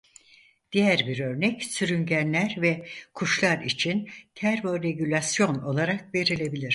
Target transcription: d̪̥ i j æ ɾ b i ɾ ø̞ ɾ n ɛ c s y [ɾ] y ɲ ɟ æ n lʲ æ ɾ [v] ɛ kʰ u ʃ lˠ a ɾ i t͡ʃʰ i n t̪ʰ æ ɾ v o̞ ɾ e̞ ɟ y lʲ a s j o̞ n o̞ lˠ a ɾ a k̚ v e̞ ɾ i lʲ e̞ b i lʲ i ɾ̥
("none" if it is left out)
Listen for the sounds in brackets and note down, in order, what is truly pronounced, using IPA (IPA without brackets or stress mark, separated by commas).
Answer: ɾ, v